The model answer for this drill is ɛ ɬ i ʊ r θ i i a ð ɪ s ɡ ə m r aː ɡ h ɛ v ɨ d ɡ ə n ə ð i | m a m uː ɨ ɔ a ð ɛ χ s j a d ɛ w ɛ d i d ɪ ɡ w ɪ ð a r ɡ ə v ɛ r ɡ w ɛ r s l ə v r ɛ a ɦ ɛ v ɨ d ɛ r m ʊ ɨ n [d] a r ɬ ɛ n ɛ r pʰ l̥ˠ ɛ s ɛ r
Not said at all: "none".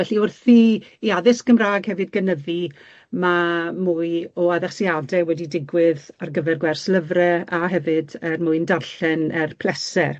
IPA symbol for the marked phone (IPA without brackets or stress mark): d